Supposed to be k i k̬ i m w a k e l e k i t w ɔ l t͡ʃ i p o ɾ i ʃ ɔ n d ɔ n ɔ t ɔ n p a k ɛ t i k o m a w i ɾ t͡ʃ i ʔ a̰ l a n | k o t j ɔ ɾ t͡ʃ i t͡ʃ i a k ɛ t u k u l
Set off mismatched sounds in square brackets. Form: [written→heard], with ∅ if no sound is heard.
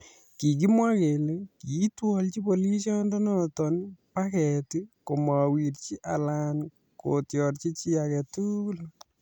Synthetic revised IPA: k i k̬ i m w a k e l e k i t w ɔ l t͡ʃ i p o [ɾ→l] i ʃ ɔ n d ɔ n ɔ t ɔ n p a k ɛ t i k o m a w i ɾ t͡ʃ i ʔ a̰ l a n | k o t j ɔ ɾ t͡ʃ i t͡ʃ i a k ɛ t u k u l